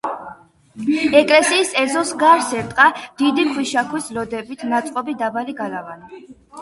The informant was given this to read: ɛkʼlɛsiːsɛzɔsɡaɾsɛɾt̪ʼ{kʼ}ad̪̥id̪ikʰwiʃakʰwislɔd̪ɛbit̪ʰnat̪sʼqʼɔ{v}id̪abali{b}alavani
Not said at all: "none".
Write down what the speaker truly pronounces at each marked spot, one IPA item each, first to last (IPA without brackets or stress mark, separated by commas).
qʼ, b, ɡ